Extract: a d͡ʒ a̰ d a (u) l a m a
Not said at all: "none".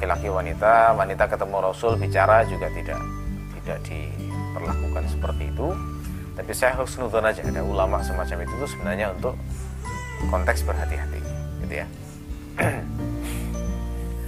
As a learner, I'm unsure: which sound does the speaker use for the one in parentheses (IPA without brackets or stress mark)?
u